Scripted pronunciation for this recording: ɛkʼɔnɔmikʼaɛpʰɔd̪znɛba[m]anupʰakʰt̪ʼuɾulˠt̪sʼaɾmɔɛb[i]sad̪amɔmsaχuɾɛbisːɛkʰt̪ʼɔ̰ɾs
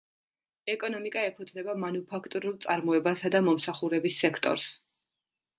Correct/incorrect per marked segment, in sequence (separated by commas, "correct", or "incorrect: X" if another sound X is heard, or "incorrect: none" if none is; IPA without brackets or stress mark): correct, incorrect: a